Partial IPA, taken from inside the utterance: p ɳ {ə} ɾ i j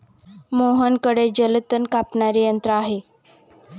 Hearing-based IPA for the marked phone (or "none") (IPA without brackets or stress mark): a